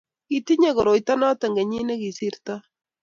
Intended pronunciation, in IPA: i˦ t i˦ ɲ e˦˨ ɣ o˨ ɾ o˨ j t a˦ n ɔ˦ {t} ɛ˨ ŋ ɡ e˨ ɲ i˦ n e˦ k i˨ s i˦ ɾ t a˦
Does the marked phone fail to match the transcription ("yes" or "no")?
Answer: no